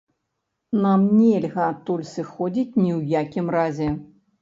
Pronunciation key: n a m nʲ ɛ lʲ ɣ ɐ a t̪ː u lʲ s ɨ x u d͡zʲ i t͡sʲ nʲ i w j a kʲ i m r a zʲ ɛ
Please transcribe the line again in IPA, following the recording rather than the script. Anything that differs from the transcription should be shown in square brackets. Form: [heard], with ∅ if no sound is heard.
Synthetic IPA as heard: n a m nʲ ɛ lʲ ɣ ɐ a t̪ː u lʲ s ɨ x [ɔ] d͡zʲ i t͡sʲ nʲ i w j a kʲ i m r a zʲ ɛ

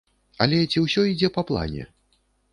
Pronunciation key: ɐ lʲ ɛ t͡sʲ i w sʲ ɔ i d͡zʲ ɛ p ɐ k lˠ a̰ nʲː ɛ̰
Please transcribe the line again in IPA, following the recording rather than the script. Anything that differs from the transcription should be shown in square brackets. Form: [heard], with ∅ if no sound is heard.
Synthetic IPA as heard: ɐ lʲ ɛ t͡sʲ i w sʲ ɔ i d͡zʲ ɛ p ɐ [p] lˠ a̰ [nʲ] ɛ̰

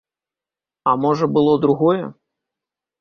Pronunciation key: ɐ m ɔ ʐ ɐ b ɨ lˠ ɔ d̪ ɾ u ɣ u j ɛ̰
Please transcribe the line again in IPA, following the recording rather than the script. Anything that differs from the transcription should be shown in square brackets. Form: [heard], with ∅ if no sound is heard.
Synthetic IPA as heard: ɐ m ɔ ʐ ɐ b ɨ lˠ ɔ d̪ ɾ u ɣ [ɔ] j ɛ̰

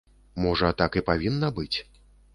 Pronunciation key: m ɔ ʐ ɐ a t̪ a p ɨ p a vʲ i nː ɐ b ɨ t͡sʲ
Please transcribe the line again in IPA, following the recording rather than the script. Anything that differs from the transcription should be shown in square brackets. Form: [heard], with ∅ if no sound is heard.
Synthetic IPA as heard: m ɔ ʐ ɐ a t̪ a [k] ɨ p a vʲ i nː ɐ b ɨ t͡sʲ

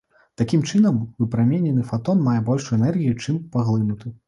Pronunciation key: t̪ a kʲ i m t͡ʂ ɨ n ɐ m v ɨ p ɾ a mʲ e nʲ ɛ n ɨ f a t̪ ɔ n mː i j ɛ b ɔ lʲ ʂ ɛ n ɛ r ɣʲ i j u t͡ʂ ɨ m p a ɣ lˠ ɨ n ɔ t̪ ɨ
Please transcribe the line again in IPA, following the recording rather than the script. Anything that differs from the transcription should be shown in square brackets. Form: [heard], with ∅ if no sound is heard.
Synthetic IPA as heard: t̪ a kʲ i m t͡ʂ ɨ n ɐ m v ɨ p ɾ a mʲ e nʲ ɛ n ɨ f a t̪ ɔ n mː [a] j ɛ b ɔ lʲ ʂ ɛ n ɛ r ɣʲ i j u t͡ʂ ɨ m p a ɣ lˠ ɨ n [u] t̪ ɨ

